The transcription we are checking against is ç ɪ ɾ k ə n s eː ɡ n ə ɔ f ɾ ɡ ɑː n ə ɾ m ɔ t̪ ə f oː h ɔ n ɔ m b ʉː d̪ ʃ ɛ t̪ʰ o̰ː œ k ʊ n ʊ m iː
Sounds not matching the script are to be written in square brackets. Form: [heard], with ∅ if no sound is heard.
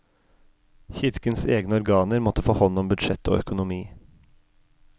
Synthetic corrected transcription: ç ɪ ɾ k ə n s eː ɡ n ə ɔ [∅] ɾ ɡ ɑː n ə ɾ m ɔ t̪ ə f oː h ɔ n ɔ m b [ʉ] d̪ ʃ ɛ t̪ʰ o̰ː œ k ʊ n ʊ m iː